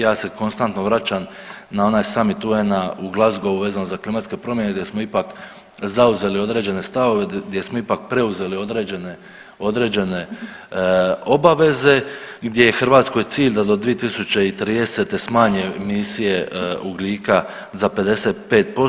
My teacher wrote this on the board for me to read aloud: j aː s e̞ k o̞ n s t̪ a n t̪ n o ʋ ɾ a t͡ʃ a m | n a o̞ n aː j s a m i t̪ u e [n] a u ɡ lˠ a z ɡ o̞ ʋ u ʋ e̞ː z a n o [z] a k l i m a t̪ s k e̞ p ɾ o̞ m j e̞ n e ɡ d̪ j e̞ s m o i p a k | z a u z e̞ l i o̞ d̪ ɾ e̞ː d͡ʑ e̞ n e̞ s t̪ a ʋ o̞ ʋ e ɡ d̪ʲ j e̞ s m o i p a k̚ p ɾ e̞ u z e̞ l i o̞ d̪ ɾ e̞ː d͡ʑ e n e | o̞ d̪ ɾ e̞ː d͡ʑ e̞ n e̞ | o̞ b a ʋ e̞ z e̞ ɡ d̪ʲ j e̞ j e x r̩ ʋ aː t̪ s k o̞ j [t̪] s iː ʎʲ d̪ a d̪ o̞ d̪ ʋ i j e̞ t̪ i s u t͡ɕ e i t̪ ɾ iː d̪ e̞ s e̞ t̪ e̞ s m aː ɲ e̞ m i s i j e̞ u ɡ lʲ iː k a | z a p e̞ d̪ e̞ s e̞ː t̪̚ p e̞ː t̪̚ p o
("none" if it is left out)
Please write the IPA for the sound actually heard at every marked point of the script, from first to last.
n, z, t̪

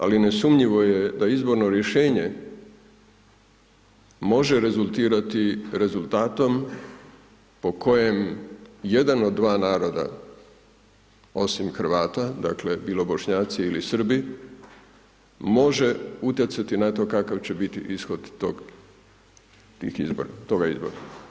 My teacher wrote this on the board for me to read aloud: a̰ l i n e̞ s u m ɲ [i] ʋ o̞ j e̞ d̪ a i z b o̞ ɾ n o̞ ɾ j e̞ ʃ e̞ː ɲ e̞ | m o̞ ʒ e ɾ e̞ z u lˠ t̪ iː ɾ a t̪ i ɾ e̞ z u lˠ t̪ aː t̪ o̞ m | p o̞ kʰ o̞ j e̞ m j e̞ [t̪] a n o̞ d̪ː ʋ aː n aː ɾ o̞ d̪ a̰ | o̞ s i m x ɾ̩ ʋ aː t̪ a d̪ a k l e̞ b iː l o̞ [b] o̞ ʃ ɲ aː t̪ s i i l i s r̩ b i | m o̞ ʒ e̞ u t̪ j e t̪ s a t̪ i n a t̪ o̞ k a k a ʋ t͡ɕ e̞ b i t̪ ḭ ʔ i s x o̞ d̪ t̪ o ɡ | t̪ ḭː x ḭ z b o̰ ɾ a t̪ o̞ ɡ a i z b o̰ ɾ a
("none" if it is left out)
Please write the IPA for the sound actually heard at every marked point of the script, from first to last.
i, d̪, b

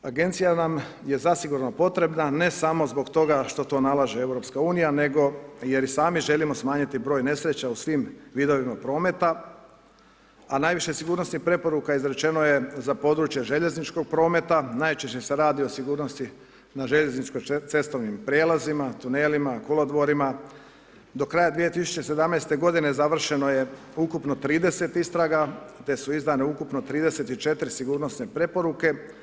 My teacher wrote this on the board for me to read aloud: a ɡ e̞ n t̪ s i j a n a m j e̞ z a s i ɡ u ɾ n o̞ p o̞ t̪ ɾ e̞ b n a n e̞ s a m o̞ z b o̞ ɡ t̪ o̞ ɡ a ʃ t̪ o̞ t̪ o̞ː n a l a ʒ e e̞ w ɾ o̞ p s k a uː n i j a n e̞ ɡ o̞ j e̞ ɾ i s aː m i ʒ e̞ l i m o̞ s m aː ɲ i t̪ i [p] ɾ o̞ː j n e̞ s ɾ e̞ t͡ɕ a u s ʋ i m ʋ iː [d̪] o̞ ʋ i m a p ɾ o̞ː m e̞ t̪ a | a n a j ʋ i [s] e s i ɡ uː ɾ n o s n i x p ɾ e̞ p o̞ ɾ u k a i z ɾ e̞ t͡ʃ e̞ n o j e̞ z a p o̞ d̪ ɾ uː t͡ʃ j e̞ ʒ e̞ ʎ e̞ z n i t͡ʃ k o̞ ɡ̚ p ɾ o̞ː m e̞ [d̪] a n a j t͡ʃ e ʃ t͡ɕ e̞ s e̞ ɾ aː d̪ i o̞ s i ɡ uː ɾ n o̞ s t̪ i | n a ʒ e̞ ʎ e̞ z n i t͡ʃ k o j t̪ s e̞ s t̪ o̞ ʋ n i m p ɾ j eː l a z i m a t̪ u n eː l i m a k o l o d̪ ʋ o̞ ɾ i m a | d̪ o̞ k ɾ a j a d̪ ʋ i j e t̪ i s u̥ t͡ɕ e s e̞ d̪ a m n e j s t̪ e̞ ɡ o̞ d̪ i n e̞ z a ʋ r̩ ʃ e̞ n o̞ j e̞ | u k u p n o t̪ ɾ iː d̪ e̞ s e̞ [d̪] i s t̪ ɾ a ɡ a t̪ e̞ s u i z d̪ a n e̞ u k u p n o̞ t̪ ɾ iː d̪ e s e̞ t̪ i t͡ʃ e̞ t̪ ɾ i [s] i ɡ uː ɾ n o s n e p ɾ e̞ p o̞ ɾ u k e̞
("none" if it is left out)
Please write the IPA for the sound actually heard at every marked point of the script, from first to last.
b, d̪, ʃ, t̪, t̪, s

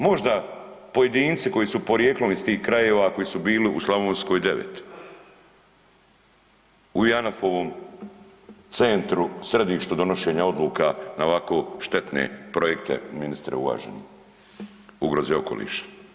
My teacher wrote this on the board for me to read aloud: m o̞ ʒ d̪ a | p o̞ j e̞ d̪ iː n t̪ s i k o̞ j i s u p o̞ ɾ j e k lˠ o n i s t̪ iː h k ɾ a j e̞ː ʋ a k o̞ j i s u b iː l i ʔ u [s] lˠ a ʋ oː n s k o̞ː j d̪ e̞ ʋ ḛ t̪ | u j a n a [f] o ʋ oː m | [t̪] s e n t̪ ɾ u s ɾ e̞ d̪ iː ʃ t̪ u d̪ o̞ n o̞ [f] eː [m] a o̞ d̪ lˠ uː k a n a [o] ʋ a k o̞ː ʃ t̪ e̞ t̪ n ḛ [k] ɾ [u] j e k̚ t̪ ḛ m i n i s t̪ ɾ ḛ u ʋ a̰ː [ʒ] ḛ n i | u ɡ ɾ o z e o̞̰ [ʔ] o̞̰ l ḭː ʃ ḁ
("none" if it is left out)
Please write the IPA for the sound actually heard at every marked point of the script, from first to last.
s, f, t̪, ʃ, ɲ, o, p, o, ʒ, k

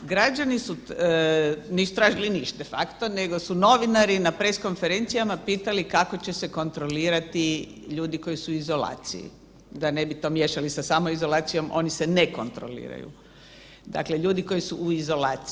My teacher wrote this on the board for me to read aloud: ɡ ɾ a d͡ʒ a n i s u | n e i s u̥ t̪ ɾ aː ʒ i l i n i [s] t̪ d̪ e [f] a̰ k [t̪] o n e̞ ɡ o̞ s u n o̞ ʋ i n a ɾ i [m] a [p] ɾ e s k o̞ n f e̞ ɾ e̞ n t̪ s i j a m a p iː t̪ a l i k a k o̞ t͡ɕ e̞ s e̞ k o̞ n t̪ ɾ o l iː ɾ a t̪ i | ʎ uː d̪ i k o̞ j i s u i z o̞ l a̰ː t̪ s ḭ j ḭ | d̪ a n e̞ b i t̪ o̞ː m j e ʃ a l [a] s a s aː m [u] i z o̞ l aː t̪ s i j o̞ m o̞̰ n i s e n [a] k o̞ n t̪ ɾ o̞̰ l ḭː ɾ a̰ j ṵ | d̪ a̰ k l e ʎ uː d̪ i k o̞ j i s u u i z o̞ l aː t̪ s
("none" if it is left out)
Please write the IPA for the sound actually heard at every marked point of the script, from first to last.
ʃ, f, t̪, n, p, i, o, e

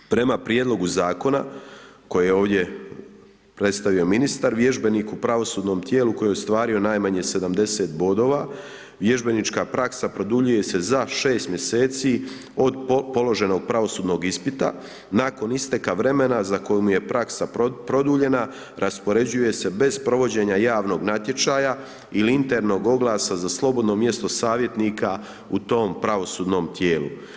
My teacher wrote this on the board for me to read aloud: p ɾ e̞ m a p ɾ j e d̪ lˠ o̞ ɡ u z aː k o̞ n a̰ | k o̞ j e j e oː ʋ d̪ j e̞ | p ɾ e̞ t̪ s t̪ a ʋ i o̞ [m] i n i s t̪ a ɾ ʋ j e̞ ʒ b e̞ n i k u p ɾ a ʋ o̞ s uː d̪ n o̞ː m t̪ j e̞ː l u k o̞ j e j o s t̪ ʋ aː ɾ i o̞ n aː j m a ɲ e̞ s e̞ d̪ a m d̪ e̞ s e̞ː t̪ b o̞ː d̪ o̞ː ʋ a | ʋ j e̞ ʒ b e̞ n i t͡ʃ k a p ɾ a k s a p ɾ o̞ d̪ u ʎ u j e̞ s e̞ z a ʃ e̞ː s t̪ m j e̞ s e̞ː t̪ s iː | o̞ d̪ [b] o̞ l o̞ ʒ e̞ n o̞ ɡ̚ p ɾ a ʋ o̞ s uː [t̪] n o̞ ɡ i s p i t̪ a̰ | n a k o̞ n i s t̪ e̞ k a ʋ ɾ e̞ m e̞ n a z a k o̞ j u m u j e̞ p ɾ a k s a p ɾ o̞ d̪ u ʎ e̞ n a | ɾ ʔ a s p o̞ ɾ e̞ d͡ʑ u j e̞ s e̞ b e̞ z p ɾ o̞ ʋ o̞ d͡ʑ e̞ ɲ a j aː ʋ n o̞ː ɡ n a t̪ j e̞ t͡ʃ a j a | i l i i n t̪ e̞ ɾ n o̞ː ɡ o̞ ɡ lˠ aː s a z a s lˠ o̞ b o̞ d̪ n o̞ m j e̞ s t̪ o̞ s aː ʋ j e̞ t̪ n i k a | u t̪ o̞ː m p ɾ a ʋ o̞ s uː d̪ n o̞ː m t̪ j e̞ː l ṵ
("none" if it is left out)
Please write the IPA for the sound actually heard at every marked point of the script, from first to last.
m, p, d̪

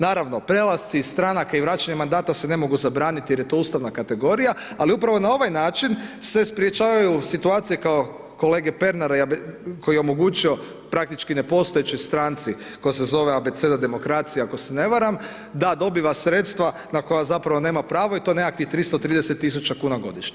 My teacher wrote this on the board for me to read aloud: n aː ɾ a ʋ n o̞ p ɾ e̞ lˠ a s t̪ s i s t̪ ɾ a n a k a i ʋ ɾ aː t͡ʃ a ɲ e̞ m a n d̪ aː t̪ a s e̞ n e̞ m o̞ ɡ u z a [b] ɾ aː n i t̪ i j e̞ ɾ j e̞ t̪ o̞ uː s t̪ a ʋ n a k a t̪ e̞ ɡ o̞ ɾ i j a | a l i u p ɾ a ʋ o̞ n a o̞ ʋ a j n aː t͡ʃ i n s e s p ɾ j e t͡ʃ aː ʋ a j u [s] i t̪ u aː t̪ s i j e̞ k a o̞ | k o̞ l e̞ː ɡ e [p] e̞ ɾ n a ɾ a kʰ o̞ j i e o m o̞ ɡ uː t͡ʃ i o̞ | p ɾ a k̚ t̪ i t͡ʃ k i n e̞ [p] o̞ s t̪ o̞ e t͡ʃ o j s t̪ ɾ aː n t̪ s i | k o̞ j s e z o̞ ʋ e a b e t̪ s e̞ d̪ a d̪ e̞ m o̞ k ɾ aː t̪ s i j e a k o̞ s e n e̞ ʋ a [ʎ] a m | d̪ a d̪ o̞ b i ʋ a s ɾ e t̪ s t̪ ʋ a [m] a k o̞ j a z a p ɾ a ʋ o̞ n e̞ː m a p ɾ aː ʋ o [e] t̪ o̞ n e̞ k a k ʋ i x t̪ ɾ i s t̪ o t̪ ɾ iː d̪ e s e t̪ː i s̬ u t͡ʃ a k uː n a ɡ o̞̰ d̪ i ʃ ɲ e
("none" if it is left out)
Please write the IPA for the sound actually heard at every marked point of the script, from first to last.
b, s, p, p, ɾ, n, i

